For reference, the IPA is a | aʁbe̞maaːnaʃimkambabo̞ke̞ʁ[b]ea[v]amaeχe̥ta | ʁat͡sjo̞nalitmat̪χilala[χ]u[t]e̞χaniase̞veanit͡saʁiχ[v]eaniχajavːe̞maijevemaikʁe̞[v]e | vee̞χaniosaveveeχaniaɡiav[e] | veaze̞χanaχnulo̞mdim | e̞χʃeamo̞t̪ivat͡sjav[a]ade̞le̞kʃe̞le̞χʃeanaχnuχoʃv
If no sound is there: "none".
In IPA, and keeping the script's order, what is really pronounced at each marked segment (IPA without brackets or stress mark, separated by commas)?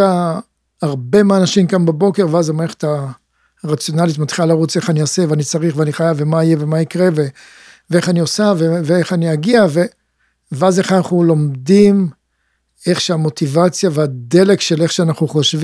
v, z, ʁ, t͡s, v, v, e, e